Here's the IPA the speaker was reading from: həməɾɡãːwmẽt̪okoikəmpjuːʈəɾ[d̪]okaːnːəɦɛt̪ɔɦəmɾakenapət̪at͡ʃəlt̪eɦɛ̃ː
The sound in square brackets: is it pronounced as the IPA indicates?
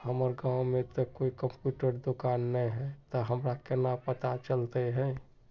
yes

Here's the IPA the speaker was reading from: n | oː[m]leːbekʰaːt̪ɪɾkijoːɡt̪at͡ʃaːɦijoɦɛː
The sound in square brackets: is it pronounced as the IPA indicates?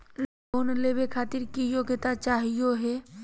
no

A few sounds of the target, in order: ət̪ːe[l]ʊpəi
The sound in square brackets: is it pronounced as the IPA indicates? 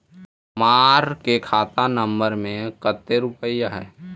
no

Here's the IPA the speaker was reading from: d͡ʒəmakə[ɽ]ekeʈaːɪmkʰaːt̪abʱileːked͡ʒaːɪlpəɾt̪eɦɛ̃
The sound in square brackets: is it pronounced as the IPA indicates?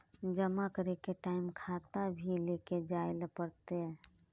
no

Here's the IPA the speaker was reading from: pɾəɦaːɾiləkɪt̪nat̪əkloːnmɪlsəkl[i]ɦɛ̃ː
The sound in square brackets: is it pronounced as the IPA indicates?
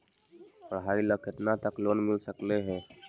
no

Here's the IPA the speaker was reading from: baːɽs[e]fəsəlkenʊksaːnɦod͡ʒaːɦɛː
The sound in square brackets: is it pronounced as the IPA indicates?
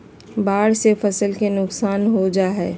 yes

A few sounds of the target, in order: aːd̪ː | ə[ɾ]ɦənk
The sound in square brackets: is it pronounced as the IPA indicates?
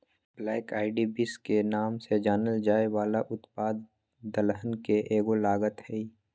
no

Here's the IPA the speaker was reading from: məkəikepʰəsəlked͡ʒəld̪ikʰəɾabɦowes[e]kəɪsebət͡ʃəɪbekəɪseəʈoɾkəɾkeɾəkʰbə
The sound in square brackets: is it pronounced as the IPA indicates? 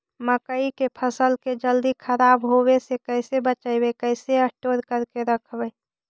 yes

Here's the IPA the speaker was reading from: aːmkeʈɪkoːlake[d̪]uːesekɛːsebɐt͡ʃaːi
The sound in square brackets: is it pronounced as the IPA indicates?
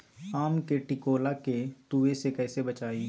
no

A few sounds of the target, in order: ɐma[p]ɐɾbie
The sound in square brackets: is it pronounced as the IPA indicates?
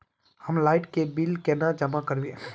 no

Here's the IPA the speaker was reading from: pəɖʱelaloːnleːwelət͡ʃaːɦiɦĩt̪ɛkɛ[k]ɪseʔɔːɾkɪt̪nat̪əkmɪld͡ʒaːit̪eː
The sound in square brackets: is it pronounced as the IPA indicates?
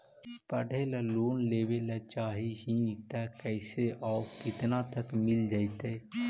no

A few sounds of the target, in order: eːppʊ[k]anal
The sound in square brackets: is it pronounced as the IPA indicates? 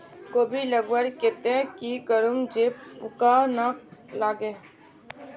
yes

